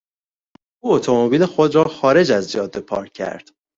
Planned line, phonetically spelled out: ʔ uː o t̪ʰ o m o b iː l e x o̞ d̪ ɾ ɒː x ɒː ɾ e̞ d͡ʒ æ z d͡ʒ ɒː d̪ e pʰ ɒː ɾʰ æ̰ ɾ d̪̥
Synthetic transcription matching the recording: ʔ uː o t̪ʰ o m o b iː l e x o̞ d̪ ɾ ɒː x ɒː ɾ e̞ d͡ʒ æ z d͡ʒ ɒː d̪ e pʰ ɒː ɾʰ æ̰ ɾ d̪̥